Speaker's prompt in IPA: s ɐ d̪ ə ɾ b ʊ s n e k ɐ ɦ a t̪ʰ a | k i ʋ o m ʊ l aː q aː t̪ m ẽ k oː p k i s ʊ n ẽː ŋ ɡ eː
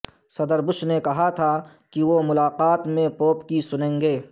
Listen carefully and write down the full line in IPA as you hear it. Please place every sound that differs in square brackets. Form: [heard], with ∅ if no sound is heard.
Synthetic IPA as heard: s ɐ d̪ ə ɾ b ʊ [ʃ] n e k ɐ ɦ a t̪ʰ a | k i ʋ o m ʊ l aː q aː t̪ m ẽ [p] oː p k i s ʊ n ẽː ŋ ɡ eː